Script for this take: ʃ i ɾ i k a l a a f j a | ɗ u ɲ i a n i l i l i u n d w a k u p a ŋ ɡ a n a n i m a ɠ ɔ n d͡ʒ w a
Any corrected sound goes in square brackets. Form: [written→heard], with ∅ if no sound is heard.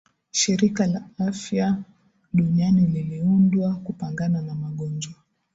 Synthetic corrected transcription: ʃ i ɾ i k a l a a f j a | ɗ u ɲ i a n i l i l i u n d w a k u p a ŋ ɡ a n a n [i→a] m a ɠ ɔ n d͡ʒ w a